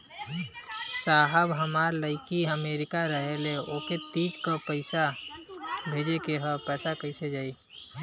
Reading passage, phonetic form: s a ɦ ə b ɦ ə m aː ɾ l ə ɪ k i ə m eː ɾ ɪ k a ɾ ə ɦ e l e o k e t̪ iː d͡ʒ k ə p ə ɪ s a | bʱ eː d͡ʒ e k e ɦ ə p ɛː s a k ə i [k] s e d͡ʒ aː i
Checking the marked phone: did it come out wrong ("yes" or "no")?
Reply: yes